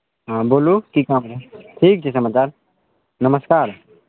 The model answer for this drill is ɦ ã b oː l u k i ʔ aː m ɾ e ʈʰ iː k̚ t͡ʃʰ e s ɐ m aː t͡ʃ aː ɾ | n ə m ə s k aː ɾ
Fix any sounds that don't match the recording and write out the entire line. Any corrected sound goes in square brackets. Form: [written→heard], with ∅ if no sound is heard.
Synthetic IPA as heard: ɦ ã b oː l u k i [ʔ→k] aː m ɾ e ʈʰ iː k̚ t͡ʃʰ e s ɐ m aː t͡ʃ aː ɾ | n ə m ə s k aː ɾ